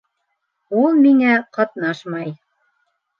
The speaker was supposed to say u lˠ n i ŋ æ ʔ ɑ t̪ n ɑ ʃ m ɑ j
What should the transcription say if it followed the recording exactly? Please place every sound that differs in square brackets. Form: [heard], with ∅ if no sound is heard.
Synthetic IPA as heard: u lˠ [m] i ŋ æ [q] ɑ t̪ n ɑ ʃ m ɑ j